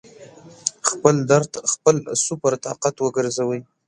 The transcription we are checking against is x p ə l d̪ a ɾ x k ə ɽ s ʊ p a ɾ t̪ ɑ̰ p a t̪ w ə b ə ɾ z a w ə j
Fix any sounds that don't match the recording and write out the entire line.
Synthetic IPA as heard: x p ə l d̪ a ɾ x p ə l s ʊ p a ɾ t̪ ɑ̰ q a t̪ w ə ɡ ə ɾ z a w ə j